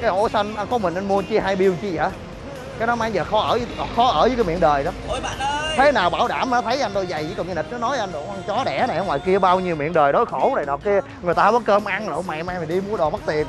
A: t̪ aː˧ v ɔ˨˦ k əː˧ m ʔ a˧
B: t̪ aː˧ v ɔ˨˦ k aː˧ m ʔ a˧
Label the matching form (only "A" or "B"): A